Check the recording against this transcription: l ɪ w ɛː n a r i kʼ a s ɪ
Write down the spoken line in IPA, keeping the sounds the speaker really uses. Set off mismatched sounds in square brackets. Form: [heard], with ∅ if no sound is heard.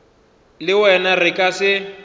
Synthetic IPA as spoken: l ɪ w [ɛ] n a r [ɪ] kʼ a s ɪ

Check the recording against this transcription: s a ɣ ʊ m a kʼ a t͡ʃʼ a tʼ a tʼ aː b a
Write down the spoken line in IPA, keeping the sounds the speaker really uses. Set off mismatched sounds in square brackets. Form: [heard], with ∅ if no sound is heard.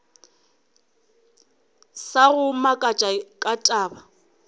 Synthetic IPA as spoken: s a ɣ ʊ m a kʼ a t͡ʃʼ a [kʼ] a tʼ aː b a

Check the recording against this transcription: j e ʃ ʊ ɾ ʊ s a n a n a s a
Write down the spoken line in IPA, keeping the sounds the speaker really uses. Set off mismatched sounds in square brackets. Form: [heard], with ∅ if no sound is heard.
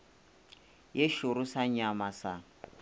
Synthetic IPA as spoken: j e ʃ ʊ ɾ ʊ s a [ɲ] a [m] a s a

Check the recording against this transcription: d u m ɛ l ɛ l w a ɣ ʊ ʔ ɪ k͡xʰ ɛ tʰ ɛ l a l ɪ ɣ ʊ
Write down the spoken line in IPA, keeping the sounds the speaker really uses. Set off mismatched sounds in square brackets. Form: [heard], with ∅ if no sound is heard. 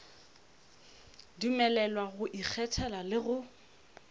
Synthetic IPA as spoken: d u m ɛ l ɛ l w a ɣ ʊ ʔ [i] k͡xʰ ɛ tʰ ɛ l a l ɪ ɣ ʊ

